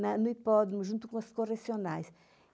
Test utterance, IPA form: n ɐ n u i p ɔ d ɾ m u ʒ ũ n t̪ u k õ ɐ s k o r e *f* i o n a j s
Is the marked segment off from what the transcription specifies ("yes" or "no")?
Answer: yes